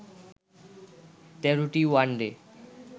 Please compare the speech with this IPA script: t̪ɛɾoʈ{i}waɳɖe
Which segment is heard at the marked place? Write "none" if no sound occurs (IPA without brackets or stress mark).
i